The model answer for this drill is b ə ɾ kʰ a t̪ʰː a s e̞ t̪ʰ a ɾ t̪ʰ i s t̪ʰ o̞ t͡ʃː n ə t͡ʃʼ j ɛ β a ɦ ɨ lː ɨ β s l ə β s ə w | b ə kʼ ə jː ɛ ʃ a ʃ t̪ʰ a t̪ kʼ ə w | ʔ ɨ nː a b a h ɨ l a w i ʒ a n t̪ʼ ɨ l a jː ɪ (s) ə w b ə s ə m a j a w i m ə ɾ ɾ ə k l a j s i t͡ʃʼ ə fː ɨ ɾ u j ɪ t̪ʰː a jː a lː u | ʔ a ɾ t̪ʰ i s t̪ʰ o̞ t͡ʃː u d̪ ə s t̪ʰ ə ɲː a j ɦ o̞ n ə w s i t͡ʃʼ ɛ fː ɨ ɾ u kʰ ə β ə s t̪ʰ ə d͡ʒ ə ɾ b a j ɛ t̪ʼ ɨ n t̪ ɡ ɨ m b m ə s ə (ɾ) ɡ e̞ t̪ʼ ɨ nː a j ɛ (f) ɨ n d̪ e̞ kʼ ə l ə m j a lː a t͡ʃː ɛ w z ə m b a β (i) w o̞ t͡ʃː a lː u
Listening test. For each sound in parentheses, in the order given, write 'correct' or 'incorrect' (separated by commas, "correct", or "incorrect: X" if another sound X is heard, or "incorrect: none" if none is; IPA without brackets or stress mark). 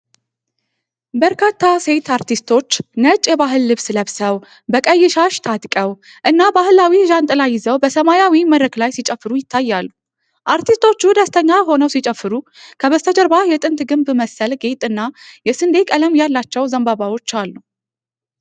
incorrect: z, incorrect: l, incorrect: s, incorrect: a